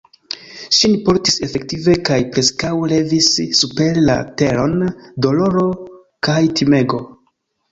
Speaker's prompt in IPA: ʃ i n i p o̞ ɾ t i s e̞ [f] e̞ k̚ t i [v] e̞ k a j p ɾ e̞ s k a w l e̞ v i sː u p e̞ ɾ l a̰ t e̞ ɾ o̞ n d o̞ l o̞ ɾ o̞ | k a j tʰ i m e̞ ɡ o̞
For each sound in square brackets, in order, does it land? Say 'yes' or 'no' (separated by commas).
yes, yes